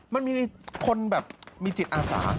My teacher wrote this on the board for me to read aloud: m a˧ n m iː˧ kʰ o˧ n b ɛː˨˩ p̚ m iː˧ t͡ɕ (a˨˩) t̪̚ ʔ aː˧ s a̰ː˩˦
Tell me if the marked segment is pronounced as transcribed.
no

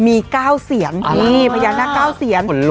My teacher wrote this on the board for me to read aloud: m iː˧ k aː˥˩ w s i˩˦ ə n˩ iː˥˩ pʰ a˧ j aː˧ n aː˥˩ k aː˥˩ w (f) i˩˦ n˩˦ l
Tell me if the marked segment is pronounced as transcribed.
no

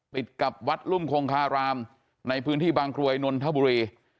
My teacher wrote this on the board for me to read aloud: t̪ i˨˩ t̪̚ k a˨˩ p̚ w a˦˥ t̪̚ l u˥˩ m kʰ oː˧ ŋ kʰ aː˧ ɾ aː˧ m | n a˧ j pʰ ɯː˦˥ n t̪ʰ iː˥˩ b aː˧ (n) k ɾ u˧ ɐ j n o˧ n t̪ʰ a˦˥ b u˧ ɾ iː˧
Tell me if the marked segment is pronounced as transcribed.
no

